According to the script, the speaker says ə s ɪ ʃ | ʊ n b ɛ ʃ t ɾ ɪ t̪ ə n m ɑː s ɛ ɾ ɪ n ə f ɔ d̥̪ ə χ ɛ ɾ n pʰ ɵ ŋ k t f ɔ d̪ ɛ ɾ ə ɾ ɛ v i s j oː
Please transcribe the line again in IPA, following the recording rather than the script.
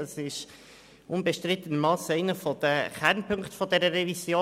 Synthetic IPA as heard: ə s ɪ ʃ | ʊ n b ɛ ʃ t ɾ ɪ t̪ ə n m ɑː s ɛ ɪ n ə f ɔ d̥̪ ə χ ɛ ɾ n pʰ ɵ ŋ k t f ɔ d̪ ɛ ɾ ə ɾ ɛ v i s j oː